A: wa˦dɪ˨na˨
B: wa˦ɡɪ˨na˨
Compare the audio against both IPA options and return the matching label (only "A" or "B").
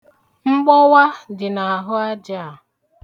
A